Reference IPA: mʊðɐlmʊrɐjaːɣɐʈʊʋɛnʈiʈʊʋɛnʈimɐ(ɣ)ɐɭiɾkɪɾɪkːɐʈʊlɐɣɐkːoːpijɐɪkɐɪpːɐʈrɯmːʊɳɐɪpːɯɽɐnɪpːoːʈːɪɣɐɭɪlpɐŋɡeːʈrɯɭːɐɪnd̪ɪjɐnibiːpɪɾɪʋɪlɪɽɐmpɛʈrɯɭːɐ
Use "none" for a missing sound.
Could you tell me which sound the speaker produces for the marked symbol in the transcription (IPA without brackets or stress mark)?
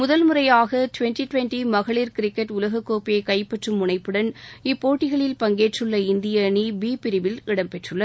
ɣ